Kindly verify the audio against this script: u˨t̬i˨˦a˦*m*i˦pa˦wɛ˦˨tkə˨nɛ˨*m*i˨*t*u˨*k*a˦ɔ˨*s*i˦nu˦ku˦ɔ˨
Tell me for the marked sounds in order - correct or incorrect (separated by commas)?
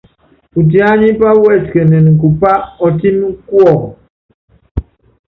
incorrect, incorrect, incorrect, incorrect, incorrect